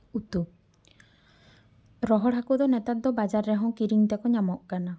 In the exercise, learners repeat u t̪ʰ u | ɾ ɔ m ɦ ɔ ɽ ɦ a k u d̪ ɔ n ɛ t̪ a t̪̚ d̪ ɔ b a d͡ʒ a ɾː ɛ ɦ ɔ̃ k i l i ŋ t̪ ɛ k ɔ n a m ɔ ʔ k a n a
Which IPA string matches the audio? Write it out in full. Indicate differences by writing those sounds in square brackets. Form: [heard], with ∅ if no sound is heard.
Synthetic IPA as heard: u [t̪] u | ɾ ɔ [∅] ɦ ɔ ɽ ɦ a k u d̪ ɔ n ɛ t̪ a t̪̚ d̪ ɔ b a d͡ʒ a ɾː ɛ ɦ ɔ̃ k i [ɾ] i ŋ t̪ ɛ k ɔ [ɲ] a m ɔ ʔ k a n a